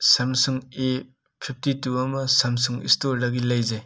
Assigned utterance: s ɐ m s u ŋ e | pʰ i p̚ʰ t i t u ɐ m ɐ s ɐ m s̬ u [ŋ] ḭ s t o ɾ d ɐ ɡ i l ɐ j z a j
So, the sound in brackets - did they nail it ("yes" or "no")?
yes